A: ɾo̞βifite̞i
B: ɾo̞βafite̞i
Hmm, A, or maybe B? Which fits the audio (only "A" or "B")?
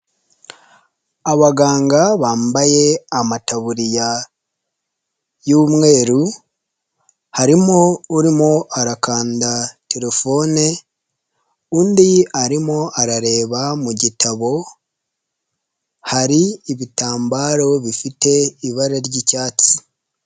A